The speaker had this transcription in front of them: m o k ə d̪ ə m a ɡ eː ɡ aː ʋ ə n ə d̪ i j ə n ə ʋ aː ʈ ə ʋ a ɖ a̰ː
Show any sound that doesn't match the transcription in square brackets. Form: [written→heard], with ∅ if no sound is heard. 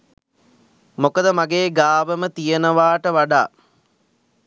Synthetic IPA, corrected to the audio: m o k ə d̪ ə m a ɡ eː ɡ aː ʋ ə [n→m] ə [d̪→t̪] i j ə n ə ʋ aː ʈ ə ʋ a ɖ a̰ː